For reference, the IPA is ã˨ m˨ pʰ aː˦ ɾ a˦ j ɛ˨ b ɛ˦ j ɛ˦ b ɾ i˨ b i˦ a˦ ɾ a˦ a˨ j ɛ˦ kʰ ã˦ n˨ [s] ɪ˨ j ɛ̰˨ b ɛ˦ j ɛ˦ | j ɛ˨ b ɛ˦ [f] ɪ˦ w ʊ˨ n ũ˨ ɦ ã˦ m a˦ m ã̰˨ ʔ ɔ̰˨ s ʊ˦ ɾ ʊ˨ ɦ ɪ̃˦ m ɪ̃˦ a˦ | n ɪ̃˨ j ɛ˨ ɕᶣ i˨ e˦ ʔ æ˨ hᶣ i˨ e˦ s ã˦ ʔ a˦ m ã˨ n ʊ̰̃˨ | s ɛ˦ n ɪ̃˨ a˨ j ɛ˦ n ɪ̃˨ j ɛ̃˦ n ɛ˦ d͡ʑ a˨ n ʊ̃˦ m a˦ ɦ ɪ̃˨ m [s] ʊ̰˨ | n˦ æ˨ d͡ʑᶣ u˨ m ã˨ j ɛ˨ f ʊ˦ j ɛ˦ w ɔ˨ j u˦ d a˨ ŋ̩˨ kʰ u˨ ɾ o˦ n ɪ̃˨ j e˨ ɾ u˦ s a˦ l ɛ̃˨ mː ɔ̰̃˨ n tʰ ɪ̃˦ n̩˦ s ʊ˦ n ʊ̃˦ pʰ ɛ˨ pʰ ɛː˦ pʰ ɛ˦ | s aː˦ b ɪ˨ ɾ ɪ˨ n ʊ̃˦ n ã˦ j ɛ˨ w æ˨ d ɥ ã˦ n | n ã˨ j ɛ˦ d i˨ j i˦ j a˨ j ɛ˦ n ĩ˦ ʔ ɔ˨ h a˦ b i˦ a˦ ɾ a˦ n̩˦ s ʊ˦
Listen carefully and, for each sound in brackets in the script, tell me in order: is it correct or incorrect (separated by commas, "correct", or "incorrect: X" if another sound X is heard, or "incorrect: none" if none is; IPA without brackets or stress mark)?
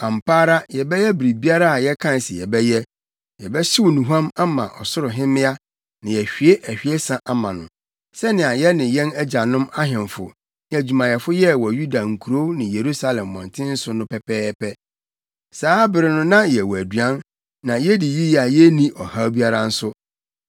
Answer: correct, incorrect: ɕ, incorrect: f